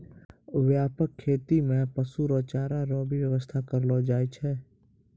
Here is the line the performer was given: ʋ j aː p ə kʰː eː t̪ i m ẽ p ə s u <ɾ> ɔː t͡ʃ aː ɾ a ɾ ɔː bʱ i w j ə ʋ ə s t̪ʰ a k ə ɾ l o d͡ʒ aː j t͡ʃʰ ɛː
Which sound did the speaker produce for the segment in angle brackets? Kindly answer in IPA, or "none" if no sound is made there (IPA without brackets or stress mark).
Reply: ɾ